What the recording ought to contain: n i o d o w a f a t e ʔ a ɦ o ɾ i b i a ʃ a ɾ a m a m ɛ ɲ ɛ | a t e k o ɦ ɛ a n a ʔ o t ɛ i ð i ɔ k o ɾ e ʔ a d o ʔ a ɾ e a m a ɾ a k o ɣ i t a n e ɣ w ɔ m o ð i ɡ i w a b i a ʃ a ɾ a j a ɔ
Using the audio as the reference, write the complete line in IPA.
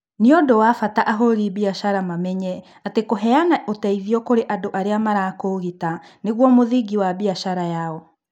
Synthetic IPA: n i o d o w a f a t a ʔ a ɦ o ɾ i b i a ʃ a ɾ a m a m ɛ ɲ ɛ | a t e k o ɦ ɛ a n a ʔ o t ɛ i ð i ɔ k o ɾ e ʔ a d o ʔ a ɾ e a m a ɾ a k o ɣ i t a n e ɣ w ɔ m o ð i ɡ i w a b i a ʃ a ɾ a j a ɔ